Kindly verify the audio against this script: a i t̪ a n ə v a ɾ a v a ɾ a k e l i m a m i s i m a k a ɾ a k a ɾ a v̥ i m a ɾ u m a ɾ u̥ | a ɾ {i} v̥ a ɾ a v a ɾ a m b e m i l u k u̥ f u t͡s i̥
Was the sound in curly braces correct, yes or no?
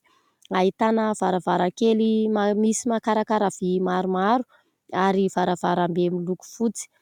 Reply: yes